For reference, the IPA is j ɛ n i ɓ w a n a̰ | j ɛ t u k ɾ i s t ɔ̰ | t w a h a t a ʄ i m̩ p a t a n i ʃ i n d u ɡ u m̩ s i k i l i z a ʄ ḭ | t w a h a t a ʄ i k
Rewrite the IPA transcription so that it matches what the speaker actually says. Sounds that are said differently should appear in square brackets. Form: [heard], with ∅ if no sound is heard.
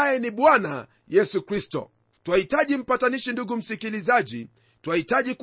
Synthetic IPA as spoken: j ɛ n i ɓ w a n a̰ | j ɛ [s] u k ɾ i s t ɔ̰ | t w a h [i] t a ʄ i m̩ p a t a n i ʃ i n d u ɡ u m̩ s i k i l i z a ʄ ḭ | t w a h [i] t a ʄ i k